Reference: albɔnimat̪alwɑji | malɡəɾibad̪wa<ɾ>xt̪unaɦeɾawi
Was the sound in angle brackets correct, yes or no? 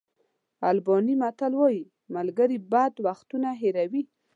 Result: no